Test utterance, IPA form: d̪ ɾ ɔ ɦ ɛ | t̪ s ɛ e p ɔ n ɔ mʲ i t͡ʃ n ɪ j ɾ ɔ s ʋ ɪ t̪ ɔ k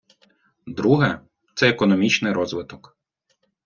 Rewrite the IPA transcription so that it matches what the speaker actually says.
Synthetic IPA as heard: d̪ ɾ u ɦ ɛ | t̪ s ɛ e k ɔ n ɔ mʲ i t͡ʃ n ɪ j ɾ ɔ z ʋ ɪ t̪ ɔ k